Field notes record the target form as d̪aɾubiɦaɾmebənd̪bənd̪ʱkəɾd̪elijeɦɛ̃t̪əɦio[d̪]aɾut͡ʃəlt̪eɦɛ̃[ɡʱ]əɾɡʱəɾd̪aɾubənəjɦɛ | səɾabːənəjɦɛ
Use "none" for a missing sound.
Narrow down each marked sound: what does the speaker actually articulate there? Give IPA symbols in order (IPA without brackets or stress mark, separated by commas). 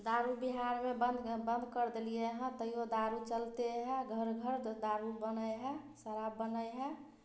d̪, ɡʱ